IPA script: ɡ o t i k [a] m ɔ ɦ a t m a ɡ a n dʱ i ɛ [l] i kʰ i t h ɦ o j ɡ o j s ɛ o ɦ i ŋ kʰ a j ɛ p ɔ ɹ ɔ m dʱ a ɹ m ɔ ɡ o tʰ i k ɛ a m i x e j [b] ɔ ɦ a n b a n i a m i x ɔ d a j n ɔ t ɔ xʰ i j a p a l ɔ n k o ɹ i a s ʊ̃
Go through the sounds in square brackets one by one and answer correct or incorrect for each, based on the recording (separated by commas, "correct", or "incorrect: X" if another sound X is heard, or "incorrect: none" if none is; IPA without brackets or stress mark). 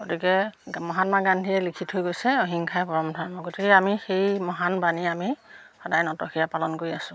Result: incorrect: ɛ, correct, incorrect: m